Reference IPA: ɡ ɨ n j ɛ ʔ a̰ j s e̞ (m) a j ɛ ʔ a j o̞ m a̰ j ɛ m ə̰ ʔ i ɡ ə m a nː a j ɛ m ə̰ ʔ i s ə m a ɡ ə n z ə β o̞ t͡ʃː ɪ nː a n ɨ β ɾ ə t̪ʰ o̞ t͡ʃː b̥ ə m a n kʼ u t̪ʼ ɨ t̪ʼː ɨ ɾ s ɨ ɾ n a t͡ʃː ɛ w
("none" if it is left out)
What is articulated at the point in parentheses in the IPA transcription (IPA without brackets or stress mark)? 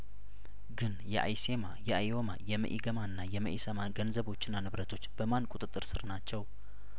m